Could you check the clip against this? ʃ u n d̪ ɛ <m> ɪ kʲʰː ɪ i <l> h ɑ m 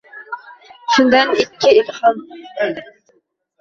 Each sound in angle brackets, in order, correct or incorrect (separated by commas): incorrect, correct